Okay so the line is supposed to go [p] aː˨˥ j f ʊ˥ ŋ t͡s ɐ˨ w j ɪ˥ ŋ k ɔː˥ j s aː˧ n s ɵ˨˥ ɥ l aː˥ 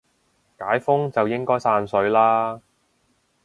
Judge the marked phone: incorrect: k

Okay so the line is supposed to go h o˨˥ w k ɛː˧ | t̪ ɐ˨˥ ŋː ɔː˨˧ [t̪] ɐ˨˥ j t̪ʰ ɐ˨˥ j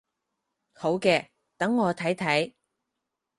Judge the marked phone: incorrect: t̪ʰ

